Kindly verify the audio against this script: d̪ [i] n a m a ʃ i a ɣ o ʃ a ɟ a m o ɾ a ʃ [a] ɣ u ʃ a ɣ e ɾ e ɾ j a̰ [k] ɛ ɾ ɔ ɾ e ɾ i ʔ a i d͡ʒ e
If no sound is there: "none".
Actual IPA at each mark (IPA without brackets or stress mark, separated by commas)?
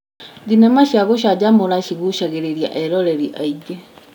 i, i, ʔ